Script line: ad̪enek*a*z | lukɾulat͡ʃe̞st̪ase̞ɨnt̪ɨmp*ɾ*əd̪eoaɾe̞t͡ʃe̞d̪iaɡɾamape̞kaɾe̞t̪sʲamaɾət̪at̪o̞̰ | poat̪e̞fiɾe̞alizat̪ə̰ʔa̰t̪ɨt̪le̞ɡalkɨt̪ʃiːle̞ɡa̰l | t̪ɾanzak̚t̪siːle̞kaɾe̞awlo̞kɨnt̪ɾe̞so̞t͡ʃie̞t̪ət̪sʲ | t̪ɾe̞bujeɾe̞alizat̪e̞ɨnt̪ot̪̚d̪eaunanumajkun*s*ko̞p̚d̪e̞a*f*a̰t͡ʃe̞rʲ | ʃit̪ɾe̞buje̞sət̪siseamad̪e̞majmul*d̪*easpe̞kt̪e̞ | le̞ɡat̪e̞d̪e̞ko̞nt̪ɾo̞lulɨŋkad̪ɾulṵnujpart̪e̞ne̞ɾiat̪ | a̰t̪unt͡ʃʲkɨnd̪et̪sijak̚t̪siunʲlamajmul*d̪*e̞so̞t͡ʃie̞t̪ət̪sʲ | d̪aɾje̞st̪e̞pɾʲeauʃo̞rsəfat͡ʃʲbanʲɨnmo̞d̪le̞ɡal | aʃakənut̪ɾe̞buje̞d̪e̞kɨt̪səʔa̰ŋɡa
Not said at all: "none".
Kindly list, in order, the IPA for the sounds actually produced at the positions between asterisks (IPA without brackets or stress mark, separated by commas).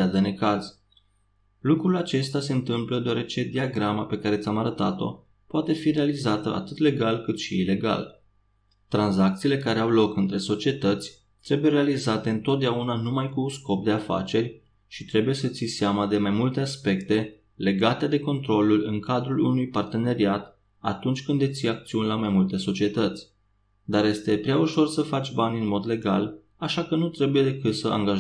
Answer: a, l, s, f, t̪, t̪